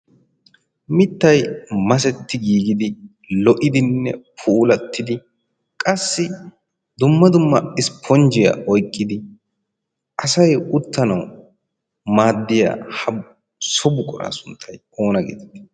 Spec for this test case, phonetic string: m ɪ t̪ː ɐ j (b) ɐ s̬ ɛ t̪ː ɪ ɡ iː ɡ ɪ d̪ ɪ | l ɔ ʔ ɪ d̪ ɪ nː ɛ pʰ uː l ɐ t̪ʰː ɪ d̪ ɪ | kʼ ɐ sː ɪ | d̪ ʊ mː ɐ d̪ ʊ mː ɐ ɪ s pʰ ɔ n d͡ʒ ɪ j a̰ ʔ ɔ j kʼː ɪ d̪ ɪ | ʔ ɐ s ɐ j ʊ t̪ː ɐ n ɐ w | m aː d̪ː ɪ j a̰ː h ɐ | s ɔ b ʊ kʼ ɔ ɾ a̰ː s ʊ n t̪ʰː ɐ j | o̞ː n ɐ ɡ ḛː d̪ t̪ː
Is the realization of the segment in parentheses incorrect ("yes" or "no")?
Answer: yes